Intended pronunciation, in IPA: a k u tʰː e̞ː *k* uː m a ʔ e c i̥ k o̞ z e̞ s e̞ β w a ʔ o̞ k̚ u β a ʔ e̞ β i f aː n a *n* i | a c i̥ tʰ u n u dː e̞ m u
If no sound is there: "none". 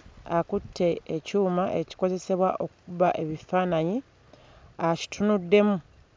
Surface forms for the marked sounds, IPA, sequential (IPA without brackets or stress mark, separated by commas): c, ɲ